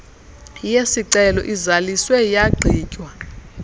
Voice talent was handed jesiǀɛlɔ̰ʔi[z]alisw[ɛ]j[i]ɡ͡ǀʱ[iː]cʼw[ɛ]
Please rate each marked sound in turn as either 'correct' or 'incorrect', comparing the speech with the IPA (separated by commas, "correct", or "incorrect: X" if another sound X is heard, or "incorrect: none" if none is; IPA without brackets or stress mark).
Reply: correct, correct, incorrect: a, correct, incorrect: a